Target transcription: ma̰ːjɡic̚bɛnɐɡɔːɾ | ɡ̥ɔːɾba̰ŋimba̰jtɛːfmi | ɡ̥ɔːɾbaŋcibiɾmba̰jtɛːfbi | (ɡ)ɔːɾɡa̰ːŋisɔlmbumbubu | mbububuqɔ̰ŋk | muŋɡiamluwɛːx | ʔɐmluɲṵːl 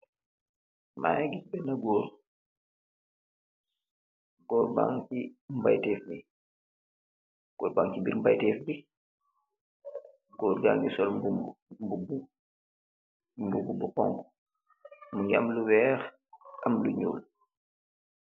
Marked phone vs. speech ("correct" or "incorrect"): correct